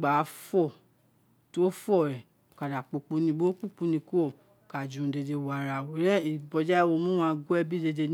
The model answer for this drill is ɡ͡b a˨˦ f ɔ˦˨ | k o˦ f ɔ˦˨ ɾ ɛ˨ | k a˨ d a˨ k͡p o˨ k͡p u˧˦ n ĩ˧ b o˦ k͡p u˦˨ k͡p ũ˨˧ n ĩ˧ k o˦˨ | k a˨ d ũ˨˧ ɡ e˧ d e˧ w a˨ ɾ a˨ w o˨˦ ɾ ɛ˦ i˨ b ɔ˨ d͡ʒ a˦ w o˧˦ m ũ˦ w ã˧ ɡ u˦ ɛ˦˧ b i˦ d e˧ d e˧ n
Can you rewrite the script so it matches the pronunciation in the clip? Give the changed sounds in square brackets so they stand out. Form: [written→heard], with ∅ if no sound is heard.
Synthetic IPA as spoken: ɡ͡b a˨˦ f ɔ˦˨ | [k→t] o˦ f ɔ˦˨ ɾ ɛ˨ | k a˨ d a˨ k͡p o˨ k͡p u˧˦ n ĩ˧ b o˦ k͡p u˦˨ k͡p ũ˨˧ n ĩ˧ k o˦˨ | k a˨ [d→d͡ʒ] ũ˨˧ [ɡ→d] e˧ d e˧ w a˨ ɾ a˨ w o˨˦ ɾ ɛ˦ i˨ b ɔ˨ d͡ʒ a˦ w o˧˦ m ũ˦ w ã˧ ɡ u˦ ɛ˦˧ b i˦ d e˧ d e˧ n